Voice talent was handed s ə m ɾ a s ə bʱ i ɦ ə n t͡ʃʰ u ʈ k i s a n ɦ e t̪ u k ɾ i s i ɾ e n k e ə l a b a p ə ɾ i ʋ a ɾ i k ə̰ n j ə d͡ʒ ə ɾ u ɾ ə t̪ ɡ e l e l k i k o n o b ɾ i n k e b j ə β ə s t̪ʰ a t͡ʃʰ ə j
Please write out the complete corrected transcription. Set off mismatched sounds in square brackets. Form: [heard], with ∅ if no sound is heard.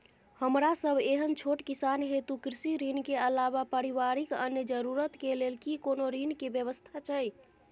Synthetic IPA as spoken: [h] ə m ɾ a s ə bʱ [e] ɦ ə n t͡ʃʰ [o] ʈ k i s a n ɦ e t̪ u k ɾ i s i ɾ [i] n k e ə l a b a p ə ɾ i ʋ a ɾ i k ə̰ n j ə d͡ʒ ə ɾ u ɾ ə t̪ [k] e l e l k i k o n o [∅] ɾ i n k e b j ə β ə s t̪ʰ a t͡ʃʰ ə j